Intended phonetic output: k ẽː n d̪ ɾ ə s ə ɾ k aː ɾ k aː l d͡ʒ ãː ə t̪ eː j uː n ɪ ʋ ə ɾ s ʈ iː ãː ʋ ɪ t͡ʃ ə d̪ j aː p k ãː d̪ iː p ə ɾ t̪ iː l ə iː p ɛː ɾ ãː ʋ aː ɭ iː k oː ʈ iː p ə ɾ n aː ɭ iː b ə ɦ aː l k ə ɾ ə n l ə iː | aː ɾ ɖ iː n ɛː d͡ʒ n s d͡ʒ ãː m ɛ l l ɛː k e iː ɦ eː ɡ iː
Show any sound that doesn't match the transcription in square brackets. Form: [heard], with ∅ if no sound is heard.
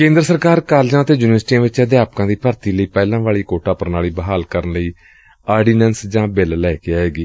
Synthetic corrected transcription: k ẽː n d̪ ɾ ə s ə ɾ k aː ɾ k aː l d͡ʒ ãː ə t̪ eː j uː n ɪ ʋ ə ɾ s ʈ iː ãː ʋ ɪ t͡ʃ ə d̪ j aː p k ãː d̪ iː p ə ɾ t̪ iː l ə iː p ɛː [l] ãː ʋ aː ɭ iː k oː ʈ [aː] p ə ɾ n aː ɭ iː b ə ɦ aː l k ə ɾ ə n l ə iː | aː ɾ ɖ iː n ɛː [∅] n s d͡ʒ ãː [b] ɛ l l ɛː k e [aː] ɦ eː ɡ iː